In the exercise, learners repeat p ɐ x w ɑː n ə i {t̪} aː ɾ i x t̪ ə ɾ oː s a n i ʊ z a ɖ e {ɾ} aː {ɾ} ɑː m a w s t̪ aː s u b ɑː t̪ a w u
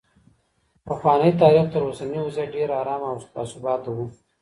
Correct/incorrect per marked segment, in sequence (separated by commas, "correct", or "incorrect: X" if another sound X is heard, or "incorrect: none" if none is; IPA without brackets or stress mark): correct, correct, correct